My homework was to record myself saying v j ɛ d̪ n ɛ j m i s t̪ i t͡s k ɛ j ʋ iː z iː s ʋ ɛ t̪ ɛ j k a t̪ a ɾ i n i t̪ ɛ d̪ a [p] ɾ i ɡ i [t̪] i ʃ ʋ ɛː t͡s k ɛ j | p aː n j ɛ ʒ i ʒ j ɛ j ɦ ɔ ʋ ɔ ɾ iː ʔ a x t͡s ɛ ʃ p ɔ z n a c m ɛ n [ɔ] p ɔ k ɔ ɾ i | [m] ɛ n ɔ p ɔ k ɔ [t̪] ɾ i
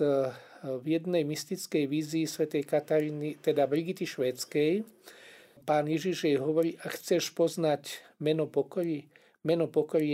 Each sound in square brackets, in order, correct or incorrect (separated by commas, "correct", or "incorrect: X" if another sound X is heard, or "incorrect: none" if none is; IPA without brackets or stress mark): incorrect: b, correct, correct, correct, incorrect: none